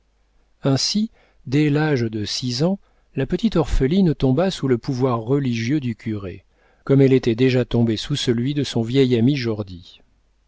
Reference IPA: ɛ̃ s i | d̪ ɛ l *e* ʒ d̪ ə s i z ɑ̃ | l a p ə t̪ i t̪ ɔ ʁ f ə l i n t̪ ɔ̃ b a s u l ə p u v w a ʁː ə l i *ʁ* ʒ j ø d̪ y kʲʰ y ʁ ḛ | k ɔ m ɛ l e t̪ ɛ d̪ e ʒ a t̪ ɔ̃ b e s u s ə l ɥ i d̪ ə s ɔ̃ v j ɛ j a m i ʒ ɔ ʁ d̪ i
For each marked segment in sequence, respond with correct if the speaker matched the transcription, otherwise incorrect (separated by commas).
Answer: incorrect, incorrect